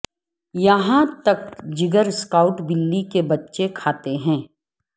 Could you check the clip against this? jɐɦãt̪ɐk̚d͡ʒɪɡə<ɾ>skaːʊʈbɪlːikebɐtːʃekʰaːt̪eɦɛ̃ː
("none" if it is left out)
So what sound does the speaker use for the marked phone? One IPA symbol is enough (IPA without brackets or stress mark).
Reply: ɾ